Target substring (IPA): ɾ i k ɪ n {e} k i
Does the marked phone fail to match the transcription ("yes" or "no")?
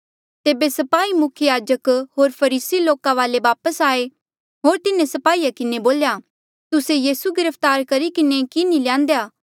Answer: no